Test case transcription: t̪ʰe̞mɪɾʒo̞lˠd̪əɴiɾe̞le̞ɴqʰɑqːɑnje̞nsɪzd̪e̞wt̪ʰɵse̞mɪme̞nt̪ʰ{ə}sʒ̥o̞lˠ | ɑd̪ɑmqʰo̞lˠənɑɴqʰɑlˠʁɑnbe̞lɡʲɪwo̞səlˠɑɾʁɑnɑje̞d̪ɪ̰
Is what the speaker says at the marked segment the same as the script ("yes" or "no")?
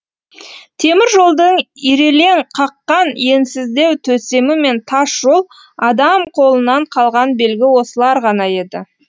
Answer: no